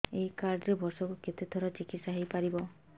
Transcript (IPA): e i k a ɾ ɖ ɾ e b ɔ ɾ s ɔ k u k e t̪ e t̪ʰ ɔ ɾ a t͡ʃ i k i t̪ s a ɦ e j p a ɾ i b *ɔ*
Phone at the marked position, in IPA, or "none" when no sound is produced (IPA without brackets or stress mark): ɔ